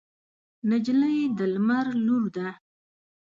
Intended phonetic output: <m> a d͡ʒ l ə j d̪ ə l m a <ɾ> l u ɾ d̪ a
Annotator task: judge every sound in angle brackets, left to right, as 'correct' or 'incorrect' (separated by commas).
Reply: incorrect, correct